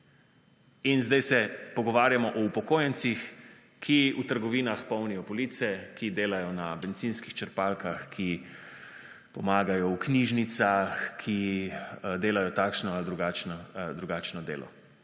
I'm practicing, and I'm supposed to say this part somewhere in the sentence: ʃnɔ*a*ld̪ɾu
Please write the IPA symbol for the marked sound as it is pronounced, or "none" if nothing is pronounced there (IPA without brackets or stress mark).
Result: a